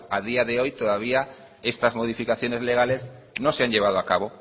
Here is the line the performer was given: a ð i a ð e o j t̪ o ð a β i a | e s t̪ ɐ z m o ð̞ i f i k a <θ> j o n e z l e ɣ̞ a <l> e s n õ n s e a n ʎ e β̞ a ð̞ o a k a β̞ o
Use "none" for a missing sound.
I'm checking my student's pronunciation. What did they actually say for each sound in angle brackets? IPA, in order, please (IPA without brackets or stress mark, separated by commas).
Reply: θ, l